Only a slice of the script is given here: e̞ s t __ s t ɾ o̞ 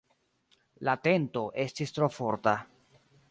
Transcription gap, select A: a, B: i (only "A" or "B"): B